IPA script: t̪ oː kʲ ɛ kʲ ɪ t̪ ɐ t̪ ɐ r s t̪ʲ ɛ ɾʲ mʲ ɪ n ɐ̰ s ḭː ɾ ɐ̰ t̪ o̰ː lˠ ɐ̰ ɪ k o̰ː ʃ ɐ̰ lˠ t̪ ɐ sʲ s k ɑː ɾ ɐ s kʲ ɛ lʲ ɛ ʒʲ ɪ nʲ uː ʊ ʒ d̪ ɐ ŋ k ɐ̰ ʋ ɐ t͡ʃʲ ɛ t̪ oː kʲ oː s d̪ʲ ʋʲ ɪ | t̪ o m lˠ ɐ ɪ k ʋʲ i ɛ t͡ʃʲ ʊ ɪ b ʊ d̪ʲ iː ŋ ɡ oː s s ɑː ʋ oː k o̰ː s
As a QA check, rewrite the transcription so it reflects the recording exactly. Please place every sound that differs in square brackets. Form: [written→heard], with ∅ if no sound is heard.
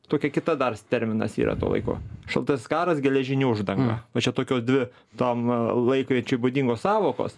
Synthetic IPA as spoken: t̪ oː kʲ ɛ kʲ ɪ t̪ ɐ [t̪→d̪] ɐ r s t̪ʲ ɛ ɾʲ mʲ ɪ n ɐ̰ s ḭː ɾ ɐ̰ t̪ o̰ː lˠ ɐ̰ ɪ k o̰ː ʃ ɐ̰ lˠ t̪ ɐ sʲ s k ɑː ɾ ɐ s [kʲ→ɡʲ] ɛ lʲ ɛ ʒʲ ɪ nʲ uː ʊ ʒ d̪ ɐ ŋ [k→ɡ] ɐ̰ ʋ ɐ t͡ʃʲ ɛ t̪ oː kʲ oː s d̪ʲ ʋʲ ɪ | t̪ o m lˠ ɐ ɪ k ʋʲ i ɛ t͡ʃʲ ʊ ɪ b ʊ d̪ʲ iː ŋ ɡ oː s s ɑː ʋ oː k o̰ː s